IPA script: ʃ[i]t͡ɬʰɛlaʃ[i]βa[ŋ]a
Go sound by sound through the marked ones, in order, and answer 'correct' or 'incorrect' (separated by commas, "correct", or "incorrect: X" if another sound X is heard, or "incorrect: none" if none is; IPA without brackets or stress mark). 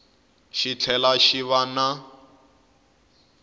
correct, correct, incorrect: n